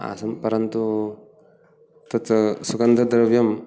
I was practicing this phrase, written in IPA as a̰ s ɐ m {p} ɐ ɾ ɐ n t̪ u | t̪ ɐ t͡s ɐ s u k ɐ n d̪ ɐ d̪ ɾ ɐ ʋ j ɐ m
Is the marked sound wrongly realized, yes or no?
no